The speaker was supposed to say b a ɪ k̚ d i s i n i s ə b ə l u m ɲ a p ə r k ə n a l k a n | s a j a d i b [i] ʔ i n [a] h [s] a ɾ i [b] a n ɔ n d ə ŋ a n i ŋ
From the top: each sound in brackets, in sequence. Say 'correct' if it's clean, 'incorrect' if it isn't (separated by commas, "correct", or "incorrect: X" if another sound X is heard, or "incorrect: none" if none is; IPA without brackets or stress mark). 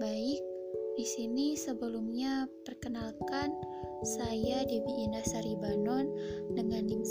correct, correct, correct, correct